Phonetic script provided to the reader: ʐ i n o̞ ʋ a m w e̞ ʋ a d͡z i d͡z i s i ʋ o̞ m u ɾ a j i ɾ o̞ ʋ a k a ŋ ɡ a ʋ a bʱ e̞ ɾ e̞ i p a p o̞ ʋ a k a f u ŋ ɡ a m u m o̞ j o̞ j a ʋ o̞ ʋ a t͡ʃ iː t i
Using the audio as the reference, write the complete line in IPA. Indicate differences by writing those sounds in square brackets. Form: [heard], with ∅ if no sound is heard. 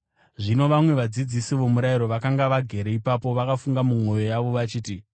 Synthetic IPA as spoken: ʐ i n o̞ ʋ a m w e̞ ʋ a d͡z i d͡z i s i ʋ o̞ m u ɾ a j i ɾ o̞ ʋ a k a ŋ ɡ a ʋ a [ɡʱ] e̞ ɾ e̞ i p a p o̞ ʋ a k a f u ŋ ɡ a m u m o̞ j o̞ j a ʋ o̞ ʋ a t͡ʃ iː t i